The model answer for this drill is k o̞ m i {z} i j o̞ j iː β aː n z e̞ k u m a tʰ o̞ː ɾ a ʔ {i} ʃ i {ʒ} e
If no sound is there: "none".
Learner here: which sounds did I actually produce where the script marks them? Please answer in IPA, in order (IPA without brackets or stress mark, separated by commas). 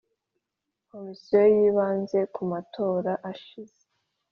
s, a, z